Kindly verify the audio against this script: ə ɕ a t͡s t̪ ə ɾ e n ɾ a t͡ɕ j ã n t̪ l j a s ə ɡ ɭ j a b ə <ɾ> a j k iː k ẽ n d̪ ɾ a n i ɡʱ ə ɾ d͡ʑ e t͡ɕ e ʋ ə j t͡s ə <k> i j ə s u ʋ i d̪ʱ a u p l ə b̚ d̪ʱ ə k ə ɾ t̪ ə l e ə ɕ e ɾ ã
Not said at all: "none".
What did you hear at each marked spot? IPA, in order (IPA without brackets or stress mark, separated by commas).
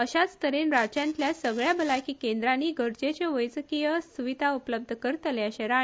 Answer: l, k